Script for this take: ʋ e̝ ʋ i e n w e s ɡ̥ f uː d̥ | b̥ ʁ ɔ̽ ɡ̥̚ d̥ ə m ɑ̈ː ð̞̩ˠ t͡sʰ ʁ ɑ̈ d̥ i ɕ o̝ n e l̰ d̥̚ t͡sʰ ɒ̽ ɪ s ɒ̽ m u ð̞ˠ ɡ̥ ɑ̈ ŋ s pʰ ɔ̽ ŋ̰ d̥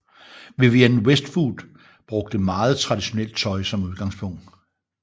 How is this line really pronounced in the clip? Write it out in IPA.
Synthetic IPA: ʋ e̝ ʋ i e n w e s d̥ f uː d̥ | b̥ ʁ ɔ̽ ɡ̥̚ d̥ ə m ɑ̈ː ð̞̩ˠ t͡sʰ ʁ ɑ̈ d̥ i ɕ o̝ n e l̰ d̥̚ t͡sʰ ɒ̽ ɪ s ɒ̽ m u ð̞ˠ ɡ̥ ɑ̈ ŋ s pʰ ɔ̽ ŋ̰ d̥